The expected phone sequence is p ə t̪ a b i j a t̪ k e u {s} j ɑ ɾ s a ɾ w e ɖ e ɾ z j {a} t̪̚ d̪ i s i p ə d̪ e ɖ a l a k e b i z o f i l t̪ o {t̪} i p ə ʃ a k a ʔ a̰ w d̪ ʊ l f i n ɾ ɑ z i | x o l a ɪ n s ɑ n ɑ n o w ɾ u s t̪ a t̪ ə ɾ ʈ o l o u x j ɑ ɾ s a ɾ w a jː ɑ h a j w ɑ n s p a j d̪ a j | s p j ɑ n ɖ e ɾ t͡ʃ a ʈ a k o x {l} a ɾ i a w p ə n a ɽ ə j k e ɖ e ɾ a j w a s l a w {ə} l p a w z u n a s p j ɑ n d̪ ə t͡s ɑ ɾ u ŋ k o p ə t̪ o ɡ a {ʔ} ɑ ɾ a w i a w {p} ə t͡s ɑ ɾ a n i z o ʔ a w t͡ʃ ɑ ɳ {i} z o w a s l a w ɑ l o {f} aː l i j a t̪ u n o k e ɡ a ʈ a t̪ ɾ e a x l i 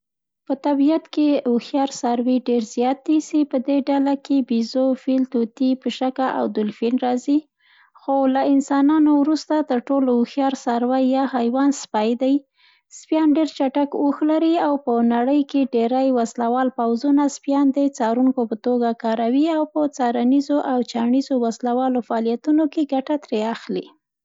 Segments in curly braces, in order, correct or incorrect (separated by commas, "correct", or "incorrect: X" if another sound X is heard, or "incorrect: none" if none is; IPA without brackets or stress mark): incorrect: x, incorrect: ɑ, correct, correct, incorrect: ɑ, incorrect: k, correct, correct, correct